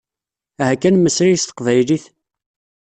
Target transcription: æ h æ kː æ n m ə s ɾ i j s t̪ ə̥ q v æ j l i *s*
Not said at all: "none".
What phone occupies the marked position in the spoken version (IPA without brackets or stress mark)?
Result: θ